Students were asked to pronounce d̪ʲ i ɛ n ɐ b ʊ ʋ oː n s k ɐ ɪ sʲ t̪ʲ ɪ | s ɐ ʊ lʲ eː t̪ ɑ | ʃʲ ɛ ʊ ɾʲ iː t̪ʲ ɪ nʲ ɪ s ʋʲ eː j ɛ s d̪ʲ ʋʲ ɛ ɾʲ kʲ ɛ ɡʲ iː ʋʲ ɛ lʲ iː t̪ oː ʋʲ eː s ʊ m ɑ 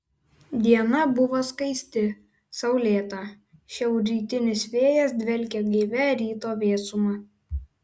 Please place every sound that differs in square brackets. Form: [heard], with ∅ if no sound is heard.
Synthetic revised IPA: d̪ʲ i ɛ n ɐ b ʊ ʋ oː [∅] s k ɐ ɪ sʲ t̪ʲ ɪ | s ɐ ʊ lʲ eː t̪ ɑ | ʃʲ ɛ ʊ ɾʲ iː t̪ʲ ɪ nʲ ɪ s ʋʲ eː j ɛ s d̪ʲ ʋʲ ɛ [lʲ] kʲ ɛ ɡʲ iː ʋʲ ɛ [ɾʲ] iː t̪ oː ʋʲ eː s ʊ m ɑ